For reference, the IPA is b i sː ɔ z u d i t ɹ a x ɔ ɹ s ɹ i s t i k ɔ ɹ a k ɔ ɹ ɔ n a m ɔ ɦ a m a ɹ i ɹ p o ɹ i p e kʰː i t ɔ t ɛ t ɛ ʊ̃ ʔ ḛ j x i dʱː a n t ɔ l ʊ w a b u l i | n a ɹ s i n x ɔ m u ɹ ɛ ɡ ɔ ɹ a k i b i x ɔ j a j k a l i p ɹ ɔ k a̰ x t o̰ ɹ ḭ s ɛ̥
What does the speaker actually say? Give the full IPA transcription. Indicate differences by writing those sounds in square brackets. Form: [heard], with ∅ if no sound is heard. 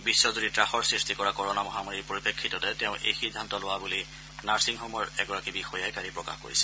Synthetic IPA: b i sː ɔ z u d i t ɹ a x ɔ ɹ s ɹ i s t i k ɔ ɹ a k ɔ ɹ ɔ n a m ɔ ɦ a m a ɹ i ɹ p o ɹ i p e kʰː i t ɔ t ɛ t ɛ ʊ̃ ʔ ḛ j x i dʱː a n t ɔ l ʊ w a b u l i | n a ɹ s i [ŋ] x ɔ m [ɔ] ɹ ɛ ɡ ɔ ɹ a k i b i x ɔ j a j k a [ɹ] i p ɹ ɔ k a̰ x [k] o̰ ɹ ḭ s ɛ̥

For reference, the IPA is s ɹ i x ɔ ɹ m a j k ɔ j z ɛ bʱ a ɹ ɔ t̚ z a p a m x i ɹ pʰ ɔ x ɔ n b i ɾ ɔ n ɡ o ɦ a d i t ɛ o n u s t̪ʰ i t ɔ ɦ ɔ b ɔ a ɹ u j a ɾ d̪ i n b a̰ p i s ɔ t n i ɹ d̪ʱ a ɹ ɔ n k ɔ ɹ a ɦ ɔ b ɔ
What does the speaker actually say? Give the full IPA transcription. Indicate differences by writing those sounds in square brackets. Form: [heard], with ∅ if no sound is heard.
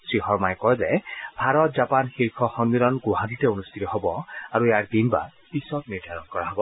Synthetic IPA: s ɹ i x ɔ ɹ m a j k ɔ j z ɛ bʱ a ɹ ɔ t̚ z a p a [n] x i ɹ [kʰ] ɔ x ɔ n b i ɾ ɔ n ɡ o ɦ a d i t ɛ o n u s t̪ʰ i t ɔ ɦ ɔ b ɔ a ɹ u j a [ɹ] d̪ i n b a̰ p i s ɔ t n i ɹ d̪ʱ a ɹ ɔ n k ɔ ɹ a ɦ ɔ b ɔ

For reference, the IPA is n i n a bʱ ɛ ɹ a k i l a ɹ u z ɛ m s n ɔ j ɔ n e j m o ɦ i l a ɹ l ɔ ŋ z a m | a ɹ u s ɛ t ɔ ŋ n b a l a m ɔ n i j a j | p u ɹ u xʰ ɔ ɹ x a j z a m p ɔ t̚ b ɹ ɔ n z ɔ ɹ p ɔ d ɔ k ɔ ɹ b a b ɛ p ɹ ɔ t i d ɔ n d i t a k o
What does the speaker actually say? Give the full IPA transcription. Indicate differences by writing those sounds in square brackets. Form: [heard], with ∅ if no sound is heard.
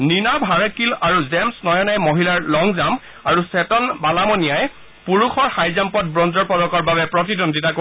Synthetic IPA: n i n a bʱ [a] ɹ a k i l a ɹ u z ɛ m s n ɔ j ɔ n [a] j m o ɦ i l a ɹ l ɔ ŋ z a m | a ɹ u s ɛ t ɔ [∅] n b a l a m ɔ n i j a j | p u ɹ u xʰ ɔ ɹ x a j z a m p ɔ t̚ b ɹ ɔ n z ɔ ɹ p ɔ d ɔ k ɔ ɹ b a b ɛ p ɹ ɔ t i d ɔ n d i t a k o

